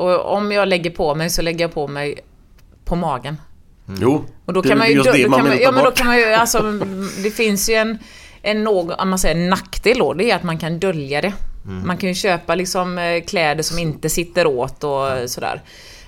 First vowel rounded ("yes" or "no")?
yes